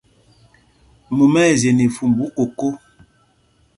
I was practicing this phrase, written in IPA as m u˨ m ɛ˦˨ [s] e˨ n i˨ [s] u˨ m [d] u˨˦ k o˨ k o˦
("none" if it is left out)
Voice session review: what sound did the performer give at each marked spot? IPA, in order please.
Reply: z, f, b

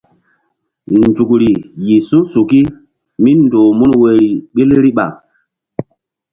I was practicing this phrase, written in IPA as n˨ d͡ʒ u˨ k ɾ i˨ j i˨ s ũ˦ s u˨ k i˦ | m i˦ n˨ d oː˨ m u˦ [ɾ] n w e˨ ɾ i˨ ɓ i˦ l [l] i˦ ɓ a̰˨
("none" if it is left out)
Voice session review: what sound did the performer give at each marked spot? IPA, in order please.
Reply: none, ɾ

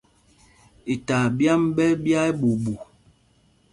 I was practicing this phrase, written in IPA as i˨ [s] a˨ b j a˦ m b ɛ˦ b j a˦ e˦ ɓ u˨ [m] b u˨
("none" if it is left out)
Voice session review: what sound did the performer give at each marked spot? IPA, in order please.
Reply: t, none

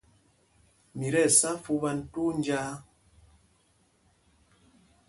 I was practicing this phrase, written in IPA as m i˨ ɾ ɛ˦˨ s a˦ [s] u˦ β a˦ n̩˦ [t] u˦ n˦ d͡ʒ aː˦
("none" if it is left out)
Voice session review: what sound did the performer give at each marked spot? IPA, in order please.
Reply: f, t

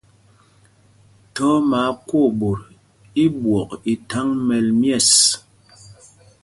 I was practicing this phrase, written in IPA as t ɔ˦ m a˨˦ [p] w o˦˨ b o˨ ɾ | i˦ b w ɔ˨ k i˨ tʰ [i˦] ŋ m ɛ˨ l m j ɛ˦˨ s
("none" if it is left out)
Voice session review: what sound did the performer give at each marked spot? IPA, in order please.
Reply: k, a˦

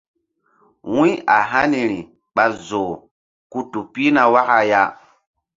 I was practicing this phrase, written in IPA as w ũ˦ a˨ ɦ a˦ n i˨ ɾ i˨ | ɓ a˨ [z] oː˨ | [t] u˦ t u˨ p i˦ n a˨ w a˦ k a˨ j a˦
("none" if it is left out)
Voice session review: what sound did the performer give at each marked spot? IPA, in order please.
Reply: z, k

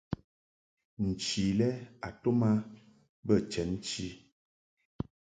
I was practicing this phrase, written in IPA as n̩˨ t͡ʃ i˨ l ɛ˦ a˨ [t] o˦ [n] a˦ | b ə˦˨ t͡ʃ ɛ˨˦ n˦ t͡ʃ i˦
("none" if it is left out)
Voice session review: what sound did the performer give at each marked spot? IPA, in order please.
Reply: t, m

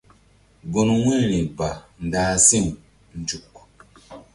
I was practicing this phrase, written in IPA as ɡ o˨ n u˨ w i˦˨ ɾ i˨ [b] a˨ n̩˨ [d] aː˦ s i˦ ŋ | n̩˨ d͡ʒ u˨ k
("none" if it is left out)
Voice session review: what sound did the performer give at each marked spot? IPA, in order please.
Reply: b, d

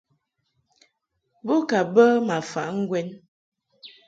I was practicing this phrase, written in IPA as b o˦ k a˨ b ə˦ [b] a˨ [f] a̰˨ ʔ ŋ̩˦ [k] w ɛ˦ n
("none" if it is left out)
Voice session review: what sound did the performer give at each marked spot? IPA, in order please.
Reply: m, f, ɡ

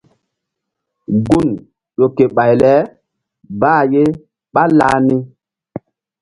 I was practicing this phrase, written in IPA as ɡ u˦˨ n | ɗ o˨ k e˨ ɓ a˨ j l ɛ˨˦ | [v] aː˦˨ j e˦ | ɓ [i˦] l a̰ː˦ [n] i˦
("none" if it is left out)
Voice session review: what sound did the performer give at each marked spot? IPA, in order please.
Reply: b, a˦, n

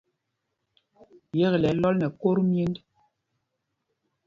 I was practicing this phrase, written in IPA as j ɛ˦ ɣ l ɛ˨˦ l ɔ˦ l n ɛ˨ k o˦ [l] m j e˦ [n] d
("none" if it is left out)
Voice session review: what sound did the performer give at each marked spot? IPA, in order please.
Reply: ɾ, n

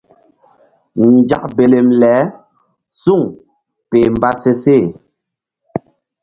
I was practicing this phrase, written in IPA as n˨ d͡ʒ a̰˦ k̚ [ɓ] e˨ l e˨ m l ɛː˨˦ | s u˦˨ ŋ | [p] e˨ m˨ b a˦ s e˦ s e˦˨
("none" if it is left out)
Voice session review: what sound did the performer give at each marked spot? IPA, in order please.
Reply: b, p

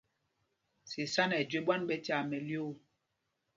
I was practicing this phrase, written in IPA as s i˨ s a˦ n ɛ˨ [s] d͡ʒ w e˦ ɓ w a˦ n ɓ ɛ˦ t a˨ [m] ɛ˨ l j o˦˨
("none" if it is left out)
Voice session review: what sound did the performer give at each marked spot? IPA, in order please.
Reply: none, m

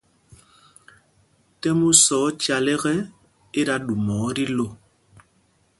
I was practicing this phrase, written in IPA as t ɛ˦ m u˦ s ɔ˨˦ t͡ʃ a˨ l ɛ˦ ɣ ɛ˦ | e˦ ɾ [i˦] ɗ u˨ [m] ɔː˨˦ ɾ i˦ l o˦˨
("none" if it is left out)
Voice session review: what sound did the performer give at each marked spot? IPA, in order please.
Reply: a˦, m

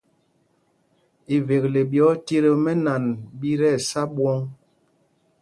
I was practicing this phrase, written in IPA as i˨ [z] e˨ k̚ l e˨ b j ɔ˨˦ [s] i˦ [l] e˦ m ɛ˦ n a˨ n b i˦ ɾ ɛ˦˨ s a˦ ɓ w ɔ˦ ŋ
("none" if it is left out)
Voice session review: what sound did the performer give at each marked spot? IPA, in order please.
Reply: v, t, ɾ

